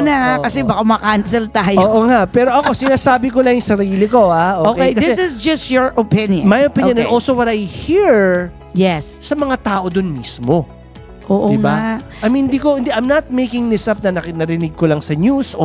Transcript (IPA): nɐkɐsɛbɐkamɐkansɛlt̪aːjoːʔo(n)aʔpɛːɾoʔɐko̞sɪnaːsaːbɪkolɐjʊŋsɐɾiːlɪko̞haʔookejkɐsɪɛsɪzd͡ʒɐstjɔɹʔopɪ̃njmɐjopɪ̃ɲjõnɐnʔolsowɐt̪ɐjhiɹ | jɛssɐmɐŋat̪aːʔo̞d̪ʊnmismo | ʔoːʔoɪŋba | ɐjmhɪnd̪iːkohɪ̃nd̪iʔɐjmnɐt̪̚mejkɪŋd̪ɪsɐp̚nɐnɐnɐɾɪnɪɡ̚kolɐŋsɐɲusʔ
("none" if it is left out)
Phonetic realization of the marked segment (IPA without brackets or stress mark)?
ŋ